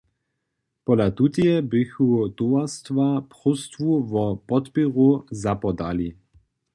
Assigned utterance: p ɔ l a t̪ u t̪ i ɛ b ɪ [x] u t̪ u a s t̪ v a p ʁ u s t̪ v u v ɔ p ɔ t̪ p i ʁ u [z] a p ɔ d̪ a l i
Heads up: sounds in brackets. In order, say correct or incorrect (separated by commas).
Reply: correct, correct